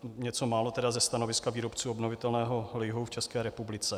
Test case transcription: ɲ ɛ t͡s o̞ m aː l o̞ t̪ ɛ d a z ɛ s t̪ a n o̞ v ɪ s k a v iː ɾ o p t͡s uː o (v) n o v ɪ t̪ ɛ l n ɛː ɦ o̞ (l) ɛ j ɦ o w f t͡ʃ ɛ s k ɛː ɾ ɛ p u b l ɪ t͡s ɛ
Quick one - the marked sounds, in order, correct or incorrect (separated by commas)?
incorrect, correct